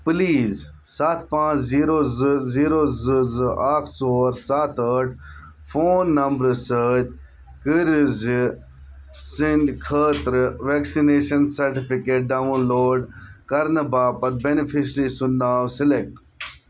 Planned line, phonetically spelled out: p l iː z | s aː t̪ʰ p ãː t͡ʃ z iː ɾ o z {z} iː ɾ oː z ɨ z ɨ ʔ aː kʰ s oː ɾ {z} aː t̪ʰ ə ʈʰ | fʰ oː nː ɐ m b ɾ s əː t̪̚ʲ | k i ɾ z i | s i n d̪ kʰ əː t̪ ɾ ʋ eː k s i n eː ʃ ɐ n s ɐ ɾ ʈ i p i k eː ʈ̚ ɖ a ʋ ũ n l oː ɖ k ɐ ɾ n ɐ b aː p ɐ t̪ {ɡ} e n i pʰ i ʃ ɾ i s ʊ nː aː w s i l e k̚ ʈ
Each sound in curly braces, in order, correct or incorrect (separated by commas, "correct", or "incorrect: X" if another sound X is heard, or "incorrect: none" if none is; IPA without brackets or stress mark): correct, incorrect: s, incorrect: b